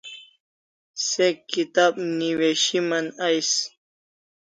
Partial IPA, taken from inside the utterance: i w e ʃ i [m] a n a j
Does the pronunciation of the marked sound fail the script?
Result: no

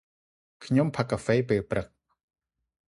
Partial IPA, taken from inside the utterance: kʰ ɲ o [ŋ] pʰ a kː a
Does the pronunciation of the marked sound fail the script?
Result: yes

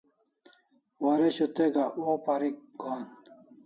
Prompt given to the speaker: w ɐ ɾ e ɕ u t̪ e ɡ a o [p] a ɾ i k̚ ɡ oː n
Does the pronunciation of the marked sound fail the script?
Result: no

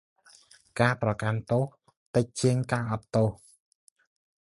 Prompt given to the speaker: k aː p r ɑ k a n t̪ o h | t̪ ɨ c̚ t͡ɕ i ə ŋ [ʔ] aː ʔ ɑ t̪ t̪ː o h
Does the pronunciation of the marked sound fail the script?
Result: yes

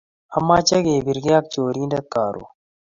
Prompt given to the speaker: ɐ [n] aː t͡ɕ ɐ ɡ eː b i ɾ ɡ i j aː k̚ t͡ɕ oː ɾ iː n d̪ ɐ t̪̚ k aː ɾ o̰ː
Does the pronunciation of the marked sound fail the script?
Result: yes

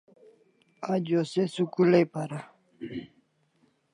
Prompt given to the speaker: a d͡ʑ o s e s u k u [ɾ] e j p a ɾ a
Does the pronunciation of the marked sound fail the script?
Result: yes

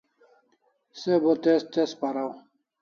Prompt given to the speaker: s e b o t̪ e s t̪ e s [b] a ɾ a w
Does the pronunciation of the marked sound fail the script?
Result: yes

